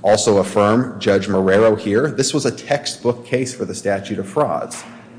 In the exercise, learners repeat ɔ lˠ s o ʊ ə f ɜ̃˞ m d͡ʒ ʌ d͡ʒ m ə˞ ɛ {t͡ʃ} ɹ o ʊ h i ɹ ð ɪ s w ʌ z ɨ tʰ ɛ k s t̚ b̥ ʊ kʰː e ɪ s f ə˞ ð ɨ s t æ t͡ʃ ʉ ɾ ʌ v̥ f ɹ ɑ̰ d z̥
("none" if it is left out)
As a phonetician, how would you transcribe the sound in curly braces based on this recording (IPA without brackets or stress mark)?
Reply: none